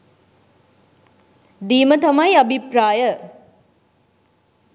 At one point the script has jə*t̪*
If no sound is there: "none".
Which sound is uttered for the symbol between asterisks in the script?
none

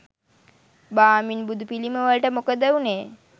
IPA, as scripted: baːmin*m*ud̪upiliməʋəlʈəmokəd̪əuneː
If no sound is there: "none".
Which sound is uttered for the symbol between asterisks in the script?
b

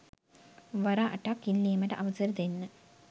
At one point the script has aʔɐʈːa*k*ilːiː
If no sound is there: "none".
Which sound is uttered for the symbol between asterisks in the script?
k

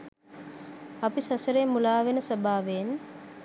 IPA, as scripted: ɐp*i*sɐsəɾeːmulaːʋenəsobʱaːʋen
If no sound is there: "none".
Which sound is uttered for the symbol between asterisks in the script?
i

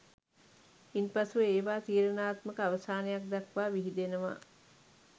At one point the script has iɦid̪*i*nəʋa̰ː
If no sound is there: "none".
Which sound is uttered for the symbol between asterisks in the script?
e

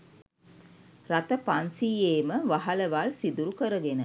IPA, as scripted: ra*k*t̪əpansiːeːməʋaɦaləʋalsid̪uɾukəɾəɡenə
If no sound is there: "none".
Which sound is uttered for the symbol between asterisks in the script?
none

